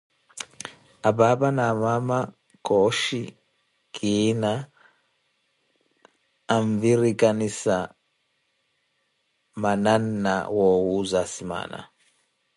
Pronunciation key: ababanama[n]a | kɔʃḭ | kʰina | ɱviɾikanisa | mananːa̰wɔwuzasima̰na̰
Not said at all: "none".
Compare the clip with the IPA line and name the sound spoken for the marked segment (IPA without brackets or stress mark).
m